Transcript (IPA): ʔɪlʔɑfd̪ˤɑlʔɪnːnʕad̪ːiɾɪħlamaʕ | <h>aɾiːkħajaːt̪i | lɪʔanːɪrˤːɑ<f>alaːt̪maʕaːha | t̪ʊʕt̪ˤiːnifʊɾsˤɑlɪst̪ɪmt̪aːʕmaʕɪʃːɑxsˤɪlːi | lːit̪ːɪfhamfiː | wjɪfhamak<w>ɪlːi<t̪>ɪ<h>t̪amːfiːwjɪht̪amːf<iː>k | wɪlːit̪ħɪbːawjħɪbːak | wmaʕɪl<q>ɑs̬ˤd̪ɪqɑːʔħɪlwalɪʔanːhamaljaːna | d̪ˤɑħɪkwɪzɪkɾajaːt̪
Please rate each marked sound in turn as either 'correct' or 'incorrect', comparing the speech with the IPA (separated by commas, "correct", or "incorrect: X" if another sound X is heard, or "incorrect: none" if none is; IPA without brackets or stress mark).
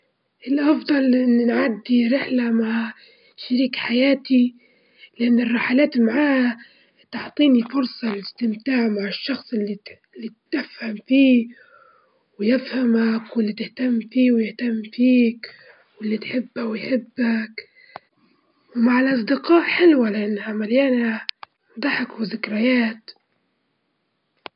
incorrect: ʃ, incorrect: ħ, correct, correct, correct, correct, incorrect: ʔ